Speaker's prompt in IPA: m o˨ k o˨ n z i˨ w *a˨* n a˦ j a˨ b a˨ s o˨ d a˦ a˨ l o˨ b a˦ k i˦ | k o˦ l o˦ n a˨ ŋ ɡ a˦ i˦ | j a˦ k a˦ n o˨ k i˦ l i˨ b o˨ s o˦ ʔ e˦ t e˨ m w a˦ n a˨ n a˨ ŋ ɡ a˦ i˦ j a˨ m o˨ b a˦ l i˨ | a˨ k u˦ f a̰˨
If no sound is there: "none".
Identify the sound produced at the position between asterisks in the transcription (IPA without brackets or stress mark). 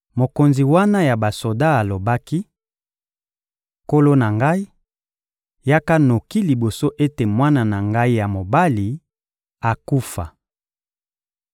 a˦